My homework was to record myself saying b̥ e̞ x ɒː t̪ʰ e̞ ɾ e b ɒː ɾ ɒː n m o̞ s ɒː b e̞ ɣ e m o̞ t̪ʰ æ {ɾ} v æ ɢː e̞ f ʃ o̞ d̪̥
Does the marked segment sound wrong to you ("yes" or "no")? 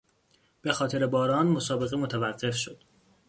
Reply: yes